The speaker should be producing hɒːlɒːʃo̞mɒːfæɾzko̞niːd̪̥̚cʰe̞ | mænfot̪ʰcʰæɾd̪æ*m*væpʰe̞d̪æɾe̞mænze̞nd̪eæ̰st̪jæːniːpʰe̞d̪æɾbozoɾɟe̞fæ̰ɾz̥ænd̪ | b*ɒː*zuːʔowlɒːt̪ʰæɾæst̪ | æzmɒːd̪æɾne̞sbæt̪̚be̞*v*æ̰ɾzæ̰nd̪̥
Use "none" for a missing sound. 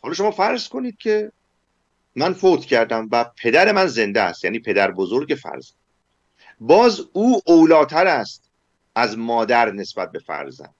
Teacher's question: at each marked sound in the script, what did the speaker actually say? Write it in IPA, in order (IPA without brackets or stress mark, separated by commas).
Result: m, ɒː, f